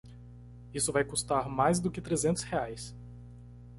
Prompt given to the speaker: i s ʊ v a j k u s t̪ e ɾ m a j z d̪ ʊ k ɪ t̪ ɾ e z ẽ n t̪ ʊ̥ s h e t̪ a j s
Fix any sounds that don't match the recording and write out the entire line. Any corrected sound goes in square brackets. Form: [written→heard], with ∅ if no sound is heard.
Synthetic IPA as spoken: i s ʊ v a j k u s t̪ [e→a] ɾ m a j z d̪ ʊ k ɪ t̪ ɾ e z ẽ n t̪ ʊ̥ s h e [t̪→∅] a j s